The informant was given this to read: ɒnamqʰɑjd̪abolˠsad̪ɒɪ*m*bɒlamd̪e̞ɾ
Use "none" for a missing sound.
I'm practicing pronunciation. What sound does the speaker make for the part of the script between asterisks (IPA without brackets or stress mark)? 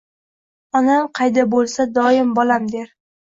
m